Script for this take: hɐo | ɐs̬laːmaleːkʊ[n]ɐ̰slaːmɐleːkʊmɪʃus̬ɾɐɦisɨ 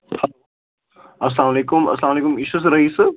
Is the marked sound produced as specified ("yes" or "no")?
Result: no